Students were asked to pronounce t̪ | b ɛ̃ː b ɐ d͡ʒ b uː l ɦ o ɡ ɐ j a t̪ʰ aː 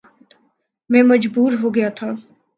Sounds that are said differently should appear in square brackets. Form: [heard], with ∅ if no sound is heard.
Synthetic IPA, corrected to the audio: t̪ | [m] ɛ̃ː [m] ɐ d͡ʒ b uː [ɾ] ɦ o ɡ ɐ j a t̪ʰ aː